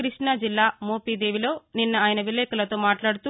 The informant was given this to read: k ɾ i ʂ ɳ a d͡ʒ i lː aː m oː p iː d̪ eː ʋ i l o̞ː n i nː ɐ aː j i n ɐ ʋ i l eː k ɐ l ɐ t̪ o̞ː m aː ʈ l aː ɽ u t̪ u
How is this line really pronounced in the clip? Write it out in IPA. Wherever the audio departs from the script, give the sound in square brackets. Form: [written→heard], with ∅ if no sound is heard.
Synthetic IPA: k ɾ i ʂ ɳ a d͡ʒ i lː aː m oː p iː d̪ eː ʋ i l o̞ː n i nː ɐ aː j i n ɐ ʋ i l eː k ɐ l ɐ t̪ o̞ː m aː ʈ l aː ɽ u t̪ u